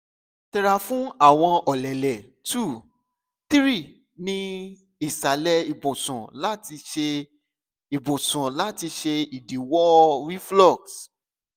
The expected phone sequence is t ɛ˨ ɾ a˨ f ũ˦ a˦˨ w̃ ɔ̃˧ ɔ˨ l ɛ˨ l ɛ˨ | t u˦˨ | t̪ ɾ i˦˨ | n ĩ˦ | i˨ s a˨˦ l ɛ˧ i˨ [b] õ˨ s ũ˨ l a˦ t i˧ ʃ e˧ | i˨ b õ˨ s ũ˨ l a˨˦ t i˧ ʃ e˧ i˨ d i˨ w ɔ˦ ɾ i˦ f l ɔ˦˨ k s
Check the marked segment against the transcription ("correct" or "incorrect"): correct